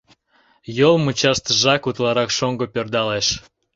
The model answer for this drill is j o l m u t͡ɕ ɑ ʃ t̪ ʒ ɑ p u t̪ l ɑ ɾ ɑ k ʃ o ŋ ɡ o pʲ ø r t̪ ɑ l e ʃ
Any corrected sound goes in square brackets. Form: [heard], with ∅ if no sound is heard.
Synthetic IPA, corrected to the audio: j o l m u t͡ɕ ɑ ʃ t̪ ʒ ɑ [k] u t̪ l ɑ ɾ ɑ k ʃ o ŋ ɡ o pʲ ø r [d̪] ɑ l e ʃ

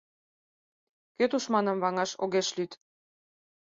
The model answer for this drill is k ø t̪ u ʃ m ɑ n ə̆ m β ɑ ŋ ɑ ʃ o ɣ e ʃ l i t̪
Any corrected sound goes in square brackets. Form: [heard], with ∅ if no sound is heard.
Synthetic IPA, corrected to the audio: k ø t̪ u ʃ m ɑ n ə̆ m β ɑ ŋ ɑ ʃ o ɣ e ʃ l [y] t̪

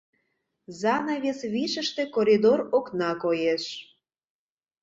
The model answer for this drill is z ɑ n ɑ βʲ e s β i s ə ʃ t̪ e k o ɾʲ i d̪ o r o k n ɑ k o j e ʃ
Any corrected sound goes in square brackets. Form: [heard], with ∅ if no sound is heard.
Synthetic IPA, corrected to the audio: z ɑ n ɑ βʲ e s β i [ʃ] ə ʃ t̪ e k o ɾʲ i d̪ o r o k n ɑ k o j e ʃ

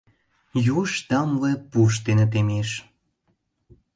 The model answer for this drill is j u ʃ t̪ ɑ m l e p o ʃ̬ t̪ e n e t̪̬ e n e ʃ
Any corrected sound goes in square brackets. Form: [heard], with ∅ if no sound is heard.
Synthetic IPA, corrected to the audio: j u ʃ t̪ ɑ m l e p [u] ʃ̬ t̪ e n e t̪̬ e [m] e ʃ

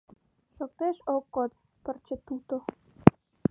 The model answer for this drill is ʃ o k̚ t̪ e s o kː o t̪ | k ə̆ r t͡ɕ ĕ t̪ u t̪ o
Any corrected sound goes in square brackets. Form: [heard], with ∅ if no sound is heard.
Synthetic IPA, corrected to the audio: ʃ o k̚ t̪ e [ʃ] o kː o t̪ | [p] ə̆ r t͡ɕ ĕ t̪ u t̪ o

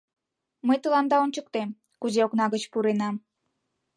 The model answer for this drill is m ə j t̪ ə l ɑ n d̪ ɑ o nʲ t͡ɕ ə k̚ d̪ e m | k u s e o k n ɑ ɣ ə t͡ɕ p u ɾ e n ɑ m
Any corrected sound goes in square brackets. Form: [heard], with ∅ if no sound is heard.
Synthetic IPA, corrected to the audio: m ə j t̪ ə l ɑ n d̪ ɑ o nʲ t͡ɕ ə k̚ [t̪] e m | k u [z] e o k n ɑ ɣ ə t͡ɕ p u ɾ e n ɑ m

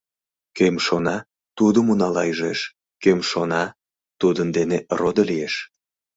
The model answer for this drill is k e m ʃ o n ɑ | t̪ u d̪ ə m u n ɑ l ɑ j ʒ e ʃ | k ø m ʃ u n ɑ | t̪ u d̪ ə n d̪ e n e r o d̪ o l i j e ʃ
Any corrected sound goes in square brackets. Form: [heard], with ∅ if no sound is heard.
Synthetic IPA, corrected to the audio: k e m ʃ o n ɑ | t̪ u d̪ ə m u n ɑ l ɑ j ʒ e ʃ | k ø m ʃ [o] n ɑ | t̪ u d̪ ə n d̪ e n e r o d̪ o l i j e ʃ

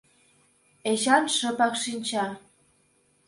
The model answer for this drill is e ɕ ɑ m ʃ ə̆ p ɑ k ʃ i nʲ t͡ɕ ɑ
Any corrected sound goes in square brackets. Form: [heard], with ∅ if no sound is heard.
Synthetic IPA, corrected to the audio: e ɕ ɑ [n] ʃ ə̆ p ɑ k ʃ i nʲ t͡ɕ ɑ

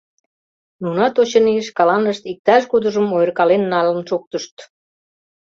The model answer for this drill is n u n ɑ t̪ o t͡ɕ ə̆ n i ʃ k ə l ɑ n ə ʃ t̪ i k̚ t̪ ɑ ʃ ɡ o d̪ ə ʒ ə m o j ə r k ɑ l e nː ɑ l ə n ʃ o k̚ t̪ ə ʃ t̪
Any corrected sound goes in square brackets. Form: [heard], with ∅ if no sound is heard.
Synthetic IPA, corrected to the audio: n u n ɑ t̪ o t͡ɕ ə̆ n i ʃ k [ɑ] l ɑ n ə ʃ t̪ i k̚ t̪ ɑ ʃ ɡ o d̪ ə ʒ ə m o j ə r k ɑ l e nː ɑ l ə n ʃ o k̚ t̪ ə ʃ t̪

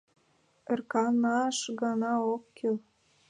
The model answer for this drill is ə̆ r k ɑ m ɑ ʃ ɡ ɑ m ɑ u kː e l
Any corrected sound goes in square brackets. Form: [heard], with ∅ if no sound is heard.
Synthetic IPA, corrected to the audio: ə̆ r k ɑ [n] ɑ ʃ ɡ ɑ [n] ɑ [o] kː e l

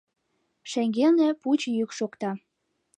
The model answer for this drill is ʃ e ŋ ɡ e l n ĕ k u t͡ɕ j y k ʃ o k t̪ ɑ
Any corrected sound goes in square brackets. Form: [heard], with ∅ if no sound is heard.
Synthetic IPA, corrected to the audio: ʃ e ŋ ɡ e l n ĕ [p] u t͡ɕ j y k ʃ o k t̪ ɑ

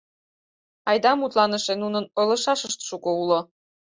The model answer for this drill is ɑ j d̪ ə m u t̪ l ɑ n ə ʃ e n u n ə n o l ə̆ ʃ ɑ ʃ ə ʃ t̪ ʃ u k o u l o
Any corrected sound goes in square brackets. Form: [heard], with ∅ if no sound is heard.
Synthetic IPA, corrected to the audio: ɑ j d̪ [ɑ] m u t̪ l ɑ n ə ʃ e n u n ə n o l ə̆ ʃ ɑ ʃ ə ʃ t̪ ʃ u k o u l o

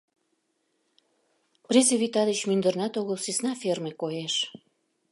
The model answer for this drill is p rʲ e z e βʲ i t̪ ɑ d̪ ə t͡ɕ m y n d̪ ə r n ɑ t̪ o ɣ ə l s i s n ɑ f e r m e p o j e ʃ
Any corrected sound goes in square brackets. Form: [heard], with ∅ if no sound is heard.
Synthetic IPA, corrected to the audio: p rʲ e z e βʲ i t̪ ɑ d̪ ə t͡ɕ m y n d̪ ə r n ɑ t̪ o ɣ ə l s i s n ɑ f e r m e [k] o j e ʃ

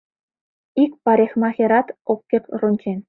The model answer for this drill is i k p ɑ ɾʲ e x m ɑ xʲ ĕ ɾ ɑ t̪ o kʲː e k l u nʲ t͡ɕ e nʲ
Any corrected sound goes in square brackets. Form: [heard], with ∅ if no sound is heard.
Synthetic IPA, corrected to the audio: i k p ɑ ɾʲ e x m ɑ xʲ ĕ ɾ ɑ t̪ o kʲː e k [r] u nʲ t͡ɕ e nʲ

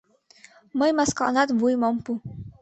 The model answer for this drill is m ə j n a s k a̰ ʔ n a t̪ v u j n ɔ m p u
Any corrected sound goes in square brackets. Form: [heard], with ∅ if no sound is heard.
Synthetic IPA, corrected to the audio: m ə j [m] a s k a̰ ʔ n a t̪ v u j [m] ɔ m p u

